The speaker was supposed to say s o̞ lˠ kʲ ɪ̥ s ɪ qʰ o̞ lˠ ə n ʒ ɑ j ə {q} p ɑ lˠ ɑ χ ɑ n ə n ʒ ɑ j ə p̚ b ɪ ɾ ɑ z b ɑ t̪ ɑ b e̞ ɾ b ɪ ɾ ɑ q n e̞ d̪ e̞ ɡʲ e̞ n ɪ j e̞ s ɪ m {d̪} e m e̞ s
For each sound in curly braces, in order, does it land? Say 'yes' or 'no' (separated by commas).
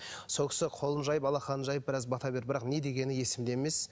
no, yes